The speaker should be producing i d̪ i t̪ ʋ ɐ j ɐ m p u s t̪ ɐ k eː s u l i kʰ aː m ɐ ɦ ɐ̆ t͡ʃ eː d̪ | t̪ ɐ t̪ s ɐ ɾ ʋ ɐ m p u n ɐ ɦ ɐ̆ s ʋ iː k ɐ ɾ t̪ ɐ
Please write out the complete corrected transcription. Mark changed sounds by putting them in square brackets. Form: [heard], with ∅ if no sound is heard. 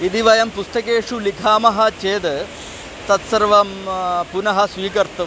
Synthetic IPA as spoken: i d̪ i [∅] ʋ ɐ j ɐ m p u s t̪ ɐ k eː [ʂ] u l i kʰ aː m ɐ ɦ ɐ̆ t͡ʃ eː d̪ | t̪ ɐ t̪ s ɐ ɾ ʋ ɐ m p u n ɐ ɦ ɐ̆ s ʋ iː k ɐ ɾ t̪ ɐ